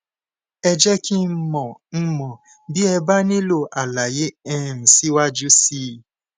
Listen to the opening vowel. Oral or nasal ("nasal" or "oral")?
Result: oral